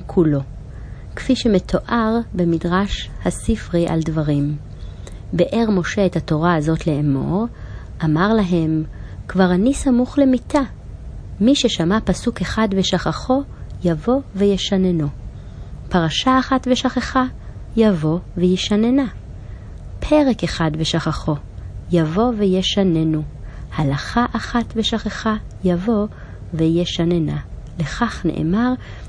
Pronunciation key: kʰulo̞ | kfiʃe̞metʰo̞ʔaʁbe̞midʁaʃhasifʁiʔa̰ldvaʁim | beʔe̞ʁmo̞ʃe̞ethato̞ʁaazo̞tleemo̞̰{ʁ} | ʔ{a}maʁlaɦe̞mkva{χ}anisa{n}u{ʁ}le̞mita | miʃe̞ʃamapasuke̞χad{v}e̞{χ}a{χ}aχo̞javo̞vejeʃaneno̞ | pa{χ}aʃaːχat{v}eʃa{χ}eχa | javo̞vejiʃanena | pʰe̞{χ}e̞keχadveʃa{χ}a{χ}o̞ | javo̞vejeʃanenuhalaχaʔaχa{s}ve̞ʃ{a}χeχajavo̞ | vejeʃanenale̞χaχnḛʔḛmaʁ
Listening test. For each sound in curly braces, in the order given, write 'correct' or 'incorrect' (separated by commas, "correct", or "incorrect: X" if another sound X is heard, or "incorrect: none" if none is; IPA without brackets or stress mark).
correct, correct, incorrect: ʁ, incorrect: m, incorrect: χ, correct, incorrect: ʃ, correct, incorrect: ʁ, correct, correct, incorrect: ʁ, correct, correct, incorrect: t, correct